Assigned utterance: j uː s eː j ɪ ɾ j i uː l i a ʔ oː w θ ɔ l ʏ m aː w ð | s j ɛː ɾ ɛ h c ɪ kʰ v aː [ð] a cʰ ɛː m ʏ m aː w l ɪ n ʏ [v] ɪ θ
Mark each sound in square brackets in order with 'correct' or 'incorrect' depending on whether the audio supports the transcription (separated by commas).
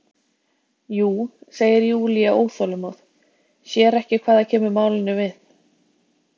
correct, correct